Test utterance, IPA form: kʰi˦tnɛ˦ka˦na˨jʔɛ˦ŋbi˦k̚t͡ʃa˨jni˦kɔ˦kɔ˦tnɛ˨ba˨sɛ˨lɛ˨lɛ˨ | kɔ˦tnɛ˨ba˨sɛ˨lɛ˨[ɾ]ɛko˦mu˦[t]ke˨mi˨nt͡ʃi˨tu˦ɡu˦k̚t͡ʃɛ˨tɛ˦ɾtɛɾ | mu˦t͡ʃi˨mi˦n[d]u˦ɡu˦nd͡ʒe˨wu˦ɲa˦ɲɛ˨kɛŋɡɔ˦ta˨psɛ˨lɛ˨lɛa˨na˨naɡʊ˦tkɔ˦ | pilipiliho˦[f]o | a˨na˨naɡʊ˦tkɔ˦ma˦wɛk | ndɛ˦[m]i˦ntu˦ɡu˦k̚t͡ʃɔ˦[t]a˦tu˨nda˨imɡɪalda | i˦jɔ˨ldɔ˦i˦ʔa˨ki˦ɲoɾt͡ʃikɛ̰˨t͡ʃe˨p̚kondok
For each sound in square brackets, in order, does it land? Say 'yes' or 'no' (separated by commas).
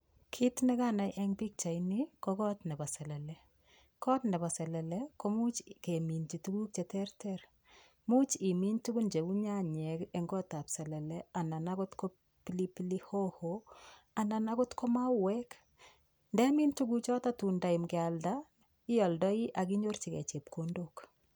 no, no, no, no, yes, yes